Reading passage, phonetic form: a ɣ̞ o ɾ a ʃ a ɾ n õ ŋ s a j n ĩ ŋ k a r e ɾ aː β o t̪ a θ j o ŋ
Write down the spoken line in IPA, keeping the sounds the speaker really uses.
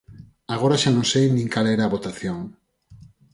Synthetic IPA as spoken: a ɣ̞ o ɾ a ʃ a n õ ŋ s e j n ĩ ŋ k a l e ɾ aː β o t̪ a θ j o ŋ